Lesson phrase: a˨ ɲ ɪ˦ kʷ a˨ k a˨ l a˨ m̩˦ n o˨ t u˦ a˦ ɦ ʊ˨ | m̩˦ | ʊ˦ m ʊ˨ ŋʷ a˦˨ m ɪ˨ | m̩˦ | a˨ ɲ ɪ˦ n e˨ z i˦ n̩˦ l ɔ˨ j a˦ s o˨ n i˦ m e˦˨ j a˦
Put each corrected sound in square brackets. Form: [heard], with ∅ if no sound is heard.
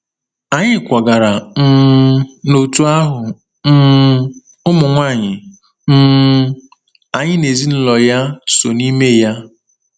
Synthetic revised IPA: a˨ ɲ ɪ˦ kʷ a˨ [ɡ] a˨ [ɾ] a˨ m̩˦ n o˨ t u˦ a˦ ɦ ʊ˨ | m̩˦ | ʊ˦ m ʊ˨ ŋʷ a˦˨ [ɲ] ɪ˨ | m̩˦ | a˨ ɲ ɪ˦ n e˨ z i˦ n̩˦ l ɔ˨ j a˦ s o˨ n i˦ m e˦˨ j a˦